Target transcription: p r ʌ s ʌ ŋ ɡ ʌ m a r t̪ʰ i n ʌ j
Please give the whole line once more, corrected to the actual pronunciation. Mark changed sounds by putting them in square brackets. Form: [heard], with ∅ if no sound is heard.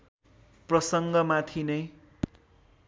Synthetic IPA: p r ʌ s ʌ ŋ ɡ ʌ m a [∅] t̪ʰ i n ʌ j